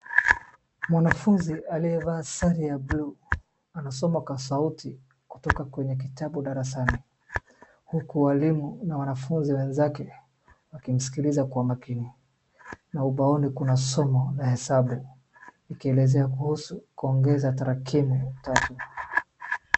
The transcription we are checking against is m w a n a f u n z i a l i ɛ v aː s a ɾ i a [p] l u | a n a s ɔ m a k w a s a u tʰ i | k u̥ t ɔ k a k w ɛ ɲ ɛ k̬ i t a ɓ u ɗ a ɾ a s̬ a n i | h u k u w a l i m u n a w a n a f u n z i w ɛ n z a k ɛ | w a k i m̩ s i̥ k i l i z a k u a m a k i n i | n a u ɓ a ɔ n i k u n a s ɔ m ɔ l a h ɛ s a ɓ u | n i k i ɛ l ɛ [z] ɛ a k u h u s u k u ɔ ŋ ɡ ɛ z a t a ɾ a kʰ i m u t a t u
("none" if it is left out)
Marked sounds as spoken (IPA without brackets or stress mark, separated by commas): b, z